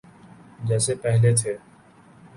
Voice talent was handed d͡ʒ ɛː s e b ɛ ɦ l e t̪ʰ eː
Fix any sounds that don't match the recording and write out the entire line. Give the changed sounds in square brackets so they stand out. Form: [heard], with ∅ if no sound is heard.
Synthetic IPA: d͡ʒ ɛː s e [p] ɛ ɦ l e t̪ʰ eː